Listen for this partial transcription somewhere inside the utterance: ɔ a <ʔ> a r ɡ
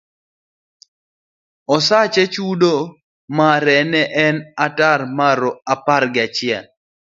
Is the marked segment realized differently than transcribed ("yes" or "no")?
yes